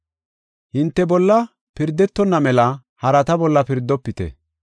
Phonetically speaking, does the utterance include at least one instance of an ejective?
no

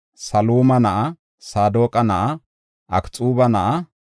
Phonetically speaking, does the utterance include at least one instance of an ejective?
yes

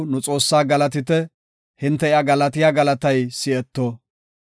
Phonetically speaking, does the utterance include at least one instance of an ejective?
yes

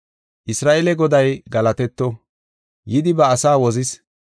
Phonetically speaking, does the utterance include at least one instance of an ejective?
no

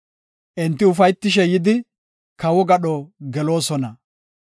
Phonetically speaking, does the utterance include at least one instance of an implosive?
yes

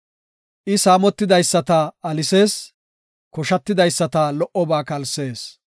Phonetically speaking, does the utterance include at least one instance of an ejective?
no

